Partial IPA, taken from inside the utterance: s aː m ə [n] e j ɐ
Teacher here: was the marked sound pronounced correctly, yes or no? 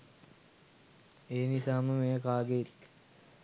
no